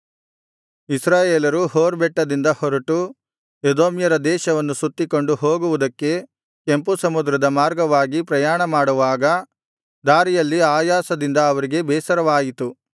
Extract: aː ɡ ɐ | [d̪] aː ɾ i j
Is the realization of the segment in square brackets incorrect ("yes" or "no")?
no